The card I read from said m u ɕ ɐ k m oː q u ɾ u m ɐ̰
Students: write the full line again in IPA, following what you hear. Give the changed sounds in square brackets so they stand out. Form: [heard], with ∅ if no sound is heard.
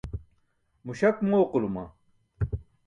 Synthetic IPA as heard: m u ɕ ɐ k m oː q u [l] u m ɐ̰